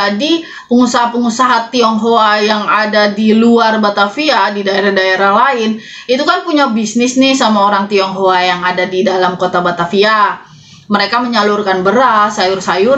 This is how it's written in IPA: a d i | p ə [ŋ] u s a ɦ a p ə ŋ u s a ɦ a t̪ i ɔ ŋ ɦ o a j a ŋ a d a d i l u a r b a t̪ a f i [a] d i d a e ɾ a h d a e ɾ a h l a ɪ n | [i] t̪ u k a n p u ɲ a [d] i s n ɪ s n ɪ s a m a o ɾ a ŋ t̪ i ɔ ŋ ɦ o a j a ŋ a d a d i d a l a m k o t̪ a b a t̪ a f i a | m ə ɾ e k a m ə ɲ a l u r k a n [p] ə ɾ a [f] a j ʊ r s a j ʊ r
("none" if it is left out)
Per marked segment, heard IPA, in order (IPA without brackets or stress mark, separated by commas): ŋ, a, i, b, b, s